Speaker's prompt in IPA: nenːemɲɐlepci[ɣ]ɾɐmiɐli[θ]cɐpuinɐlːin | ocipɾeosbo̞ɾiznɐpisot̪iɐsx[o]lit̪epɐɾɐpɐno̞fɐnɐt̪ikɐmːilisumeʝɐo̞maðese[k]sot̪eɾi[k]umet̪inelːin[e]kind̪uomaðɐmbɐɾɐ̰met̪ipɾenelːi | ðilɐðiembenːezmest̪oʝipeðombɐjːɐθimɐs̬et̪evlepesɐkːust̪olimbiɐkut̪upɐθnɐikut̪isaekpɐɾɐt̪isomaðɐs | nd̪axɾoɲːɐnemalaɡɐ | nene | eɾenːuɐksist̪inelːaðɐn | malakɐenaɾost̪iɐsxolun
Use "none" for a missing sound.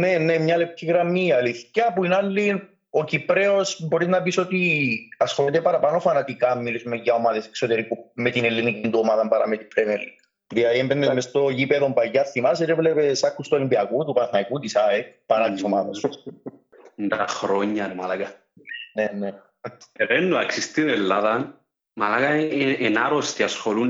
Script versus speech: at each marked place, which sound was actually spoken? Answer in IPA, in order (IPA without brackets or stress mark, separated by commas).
ɣ, θ, o, k, k, i